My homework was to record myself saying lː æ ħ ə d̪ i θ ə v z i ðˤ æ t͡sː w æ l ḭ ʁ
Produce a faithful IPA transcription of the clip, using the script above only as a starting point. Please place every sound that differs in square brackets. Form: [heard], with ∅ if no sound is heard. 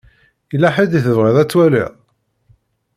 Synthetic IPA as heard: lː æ ħ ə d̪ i θ ə v [ʁ] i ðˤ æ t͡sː w æ l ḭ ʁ

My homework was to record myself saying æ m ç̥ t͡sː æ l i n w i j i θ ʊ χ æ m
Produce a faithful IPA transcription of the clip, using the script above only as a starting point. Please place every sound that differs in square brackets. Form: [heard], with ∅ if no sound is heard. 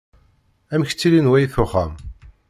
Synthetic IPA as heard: æ m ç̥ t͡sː [i] l i n w [æ] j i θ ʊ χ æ m

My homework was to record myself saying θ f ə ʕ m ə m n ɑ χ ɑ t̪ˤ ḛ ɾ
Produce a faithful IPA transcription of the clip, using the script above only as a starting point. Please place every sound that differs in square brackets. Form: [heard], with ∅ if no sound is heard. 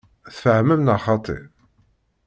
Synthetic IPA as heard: θ f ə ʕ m ə m n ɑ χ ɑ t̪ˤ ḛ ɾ

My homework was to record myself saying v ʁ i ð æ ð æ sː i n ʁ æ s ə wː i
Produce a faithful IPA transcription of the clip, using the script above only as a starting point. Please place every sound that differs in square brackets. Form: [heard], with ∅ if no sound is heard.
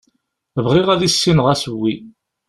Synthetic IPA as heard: v ʁ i [ʁ] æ ð [i] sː i n ʁ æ s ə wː i

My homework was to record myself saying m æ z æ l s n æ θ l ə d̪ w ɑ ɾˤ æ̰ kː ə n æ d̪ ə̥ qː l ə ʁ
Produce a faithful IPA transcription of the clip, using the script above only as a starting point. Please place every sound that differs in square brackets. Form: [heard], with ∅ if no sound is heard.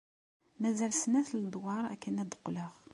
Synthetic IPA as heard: m æ z æ l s n æ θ l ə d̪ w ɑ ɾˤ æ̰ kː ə n æ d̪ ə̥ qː l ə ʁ

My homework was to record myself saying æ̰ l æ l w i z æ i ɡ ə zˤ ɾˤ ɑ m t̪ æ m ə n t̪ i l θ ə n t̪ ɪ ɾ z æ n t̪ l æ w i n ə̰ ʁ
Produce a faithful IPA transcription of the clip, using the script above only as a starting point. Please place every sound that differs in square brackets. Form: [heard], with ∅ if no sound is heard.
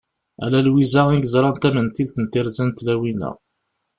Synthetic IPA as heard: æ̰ l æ l w i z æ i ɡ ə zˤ ɾˤ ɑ [n] t̪ æ m ə n t̪ i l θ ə n t̪ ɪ ɾ z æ n t̪ l æ w i n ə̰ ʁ

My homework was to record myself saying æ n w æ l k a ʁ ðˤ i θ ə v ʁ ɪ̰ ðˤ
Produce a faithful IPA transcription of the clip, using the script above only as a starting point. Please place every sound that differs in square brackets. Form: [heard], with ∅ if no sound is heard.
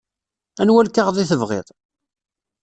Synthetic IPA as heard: æ n w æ l k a ʁ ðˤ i θ ə v ʁ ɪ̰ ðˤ

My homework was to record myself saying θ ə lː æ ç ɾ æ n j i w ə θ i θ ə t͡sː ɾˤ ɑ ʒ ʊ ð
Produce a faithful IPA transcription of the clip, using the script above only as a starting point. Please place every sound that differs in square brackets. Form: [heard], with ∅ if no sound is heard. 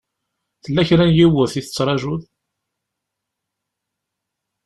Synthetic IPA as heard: θ ə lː æ ç ɾ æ n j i w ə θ i θ ə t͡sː ɾˤ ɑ ʒ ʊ ð

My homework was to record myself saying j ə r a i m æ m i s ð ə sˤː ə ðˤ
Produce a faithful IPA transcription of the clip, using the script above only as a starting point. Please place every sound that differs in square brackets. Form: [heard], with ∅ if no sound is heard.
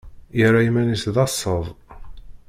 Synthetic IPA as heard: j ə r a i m æ [n] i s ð [ɑ] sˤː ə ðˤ

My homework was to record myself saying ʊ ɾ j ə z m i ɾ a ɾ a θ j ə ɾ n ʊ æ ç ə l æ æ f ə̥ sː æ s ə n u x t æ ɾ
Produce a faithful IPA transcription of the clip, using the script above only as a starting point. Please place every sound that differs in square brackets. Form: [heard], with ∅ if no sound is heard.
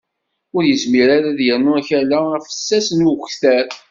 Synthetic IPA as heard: ʊ ɾ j ə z m i ɾ a ɾ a [ð] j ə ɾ n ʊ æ ç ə l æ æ f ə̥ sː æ s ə n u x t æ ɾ

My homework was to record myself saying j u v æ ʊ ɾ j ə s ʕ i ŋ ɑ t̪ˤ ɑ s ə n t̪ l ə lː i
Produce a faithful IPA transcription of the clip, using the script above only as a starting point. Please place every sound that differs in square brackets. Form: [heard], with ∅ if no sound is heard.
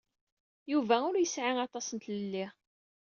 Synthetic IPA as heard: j u v æ ʊ ɾ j ə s ʕ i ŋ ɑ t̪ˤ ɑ s ə n t̪ l ə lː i

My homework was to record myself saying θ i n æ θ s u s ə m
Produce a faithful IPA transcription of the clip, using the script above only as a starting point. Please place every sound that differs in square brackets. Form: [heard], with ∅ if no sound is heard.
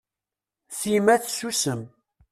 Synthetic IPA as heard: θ i [m] æ θ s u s ə m

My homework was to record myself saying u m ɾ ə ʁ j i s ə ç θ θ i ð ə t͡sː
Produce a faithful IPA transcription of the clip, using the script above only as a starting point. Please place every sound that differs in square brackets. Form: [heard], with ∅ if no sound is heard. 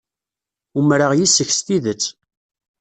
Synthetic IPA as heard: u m ɾ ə ʁ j i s ə ç [s] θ i ð ə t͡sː

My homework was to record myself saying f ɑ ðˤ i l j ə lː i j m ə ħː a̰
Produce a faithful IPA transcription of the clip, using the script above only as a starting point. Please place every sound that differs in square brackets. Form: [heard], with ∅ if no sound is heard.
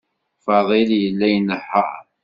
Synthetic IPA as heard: f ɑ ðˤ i l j ə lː [æ] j [n] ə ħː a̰

